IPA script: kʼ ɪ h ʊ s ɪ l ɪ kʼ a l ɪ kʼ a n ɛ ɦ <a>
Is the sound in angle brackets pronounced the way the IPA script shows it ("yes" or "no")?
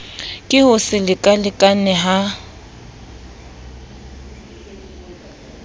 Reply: yes